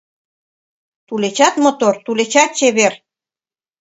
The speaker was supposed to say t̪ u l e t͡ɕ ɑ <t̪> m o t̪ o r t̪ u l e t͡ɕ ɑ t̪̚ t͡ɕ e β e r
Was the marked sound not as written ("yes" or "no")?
no